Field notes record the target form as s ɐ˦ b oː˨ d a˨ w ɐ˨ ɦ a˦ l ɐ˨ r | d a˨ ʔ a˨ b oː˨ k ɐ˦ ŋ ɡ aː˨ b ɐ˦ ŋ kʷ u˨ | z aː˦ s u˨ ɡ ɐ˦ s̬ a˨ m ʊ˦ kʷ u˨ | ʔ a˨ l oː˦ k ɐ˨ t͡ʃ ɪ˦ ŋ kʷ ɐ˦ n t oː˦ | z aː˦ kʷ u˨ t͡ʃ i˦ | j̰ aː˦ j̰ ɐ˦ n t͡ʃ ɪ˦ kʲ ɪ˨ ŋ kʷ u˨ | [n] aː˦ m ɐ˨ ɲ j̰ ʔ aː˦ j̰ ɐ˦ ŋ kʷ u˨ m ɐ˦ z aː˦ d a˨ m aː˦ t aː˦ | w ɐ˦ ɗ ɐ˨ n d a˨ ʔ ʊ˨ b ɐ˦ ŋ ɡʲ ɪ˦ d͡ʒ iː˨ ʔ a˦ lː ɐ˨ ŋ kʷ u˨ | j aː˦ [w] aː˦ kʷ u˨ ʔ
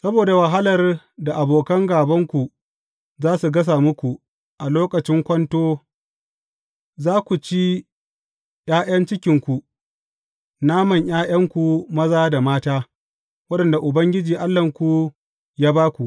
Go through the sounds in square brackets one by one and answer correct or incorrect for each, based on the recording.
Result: correct, incorrect: b

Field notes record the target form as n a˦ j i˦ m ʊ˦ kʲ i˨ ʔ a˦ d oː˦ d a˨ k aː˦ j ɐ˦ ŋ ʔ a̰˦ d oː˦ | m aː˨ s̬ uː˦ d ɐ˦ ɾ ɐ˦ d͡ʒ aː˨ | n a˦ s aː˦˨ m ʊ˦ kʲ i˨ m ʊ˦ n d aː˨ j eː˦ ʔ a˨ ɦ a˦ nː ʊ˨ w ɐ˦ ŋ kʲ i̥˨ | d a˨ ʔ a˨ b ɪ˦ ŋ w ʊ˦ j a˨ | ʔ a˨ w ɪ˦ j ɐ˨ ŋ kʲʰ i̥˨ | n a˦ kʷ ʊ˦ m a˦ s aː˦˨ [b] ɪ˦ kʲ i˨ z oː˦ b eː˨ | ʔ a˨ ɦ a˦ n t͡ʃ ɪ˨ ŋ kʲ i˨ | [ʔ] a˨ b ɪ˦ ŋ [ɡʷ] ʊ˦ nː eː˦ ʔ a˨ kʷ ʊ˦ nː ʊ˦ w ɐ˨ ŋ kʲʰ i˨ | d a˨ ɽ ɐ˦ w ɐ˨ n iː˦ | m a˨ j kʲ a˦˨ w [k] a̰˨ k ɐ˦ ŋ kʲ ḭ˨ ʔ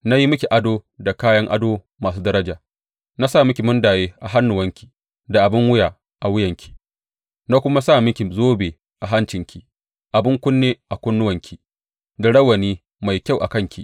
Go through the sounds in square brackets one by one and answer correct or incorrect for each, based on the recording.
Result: incorrect: m, correct, incorrect: kʷ, incorrect: ʔ

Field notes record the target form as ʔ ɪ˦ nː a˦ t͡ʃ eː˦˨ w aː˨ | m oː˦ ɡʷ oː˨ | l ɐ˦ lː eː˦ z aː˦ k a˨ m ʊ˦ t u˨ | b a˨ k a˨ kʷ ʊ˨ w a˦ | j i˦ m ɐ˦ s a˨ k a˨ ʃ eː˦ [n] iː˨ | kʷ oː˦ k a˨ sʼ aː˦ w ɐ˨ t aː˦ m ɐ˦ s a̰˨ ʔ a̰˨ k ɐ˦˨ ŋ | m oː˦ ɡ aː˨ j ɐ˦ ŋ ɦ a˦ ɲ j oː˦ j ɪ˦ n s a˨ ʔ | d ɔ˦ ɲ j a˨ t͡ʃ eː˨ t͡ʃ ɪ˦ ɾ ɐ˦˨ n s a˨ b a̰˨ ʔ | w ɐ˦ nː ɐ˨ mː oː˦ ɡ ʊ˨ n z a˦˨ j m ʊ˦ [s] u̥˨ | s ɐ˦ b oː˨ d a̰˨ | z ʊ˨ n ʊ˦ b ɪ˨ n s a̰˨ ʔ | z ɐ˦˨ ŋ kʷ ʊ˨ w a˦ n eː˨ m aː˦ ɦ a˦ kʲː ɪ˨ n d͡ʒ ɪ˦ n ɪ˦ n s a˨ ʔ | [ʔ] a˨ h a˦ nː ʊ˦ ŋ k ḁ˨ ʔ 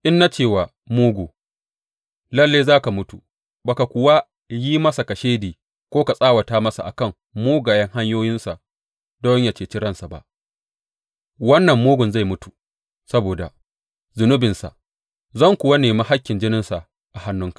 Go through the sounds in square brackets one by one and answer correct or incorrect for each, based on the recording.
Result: incorrect: d, incorrect: t, correct

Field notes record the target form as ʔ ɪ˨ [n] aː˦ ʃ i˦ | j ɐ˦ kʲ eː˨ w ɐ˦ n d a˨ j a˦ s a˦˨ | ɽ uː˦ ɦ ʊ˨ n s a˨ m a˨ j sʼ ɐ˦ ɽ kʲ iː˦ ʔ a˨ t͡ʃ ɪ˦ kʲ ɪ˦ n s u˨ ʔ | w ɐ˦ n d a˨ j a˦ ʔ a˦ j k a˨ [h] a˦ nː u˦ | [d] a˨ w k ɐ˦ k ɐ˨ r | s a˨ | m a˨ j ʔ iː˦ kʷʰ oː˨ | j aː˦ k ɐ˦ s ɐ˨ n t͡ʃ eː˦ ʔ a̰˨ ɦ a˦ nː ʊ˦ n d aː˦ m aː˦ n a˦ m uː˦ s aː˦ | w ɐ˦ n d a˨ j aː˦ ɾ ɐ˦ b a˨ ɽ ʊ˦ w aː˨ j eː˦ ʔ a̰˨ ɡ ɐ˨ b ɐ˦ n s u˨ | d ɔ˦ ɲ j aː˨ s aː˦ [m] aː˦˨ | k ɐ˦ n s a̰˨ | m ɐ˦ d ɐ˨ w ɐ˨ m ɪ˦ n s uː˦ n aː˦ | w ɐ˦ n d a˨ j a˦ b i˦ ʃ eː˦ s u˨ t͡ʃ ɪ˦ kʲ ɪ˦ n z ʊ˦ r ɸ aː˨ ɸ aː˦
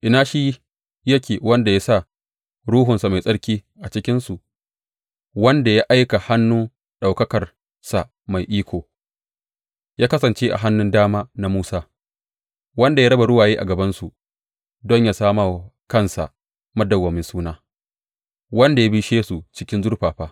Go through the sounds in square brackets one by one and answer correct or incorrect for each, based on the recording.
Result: correct, correct, incorrect: ɗ, correct

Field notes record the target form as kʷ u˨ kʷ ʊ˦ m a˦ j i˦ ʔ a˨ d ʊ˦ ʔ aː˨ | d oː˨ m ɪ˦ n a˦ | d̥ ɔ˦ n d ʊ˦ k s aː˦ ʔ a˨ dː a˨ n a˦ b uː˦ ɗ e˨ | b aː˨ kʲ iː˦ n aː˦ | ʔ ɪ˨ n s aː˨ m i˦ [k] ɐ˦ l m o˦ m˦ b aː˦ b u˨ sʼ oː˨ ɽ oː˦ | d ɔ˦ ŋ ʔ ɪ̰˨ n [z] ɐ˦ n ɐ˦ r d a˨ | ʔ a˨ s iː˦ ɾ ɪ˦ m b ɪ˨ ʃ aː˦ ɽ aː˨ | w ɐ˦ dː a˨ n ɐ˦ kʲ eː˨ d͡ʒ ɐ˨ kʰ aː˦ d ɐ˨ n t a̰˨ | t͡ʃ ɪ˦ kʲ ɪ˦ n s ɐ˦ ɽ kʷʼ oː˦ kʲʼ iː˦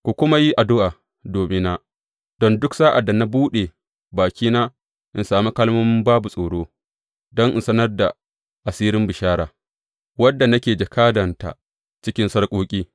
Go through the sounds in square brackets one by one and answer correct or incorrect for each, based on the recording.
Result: correct, incorrect: s

